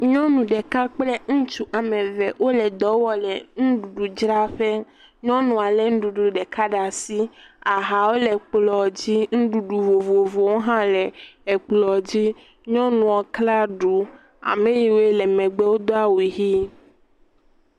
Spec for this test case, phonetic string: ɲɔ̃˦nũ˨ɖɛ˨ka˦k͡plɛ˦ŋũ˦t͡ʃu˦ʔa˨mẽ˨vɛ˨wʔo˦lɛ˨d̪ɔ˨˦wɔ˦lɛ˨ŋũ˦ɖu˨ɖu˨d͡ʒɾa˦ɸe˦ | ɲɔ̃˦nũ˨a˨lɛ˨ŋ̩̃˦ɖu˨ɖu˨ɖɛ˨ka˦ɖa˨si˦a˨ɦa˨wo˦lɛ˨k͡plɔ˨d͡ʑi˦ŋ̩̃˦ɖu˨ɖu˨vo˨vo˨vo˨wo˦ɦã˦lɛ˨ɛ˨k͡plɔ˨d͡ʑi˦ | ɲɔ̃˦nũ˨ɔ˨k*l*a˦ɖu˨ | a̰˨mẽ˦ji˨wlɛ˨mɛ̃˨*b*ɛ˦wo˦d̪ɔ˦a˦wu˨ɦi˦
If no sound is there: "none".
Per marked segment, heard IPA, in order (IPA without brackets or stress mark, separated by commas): l, ɡ͡b